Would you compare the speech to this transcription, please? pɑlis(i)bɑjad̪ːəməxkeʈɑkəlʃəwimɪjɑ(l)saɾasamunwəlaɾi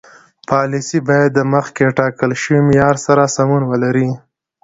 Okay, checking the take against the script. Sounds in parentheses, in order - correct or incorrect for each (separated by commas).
correct, incorrect